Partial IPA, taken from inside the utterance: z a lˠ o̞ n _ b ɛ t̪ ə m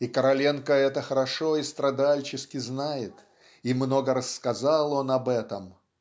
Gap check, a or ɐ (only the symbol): ɐ